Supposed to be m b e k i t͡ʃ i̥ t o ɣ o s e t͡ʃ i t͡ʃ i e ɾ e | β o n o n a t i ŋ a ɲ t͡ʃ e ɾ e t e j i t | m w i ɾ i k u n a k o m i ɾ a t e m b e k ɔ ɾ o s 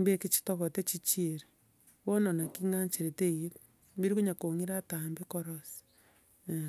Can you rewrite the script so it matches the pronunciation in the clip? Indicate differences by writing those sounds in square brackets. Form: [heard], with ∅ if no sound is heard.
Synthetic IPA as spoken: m b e k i t͡ʃ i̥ t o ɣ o [t] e t͡ʃ i t͡ʃ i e ɾ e | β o n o n a [k] i ŋ a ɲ t͡ʃ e ɾ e t e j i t | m [b] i ɾ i k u [ɲ] a k o [ŋ] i ɾ a t [a] m b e k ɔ ɾ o s